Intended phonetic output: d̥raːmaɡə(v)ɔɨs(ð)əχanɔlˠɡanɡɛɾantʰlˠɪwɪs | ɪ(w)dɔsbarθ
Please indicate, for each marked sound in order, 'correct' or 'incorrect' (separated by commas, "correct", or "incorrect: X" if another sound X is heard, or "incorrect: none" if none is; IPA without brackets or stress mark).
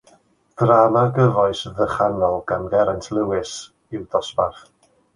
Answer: correct, correct, correct